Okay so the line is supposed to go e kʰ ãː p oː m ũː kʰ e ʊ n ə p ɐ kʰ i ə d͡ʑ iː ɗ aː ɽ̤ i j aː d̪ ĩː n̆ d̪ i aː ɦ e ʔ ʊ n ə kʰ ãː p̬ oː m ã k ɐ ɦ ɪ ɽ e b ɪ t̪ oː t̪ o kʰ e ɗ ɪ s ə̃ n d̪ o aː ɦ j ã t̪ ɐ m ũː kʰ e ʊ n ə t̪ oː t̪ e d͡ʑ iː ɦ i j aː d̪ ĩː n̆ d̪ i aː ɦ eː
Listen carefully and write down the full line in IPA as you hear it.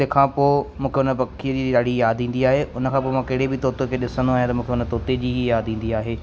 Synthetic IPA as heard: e kʰ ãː p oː m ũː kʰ e ʊ n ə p ɐ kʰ i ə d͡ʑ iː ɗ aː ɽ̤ i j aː d̪ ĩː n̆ d̪ i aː ɦ e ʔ ʊ n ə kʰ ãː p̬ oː m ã k ɐ ɦ ɪ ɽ e b ɪ t̪ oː t̪ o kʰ e ɗ ɪ s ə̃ n d̪ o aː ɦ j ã t̪ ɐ m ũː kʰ e ʊ n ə t̪ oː t̪ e d͡ʑ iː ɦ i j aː d̪ ĩː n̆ d̪ i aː ɦ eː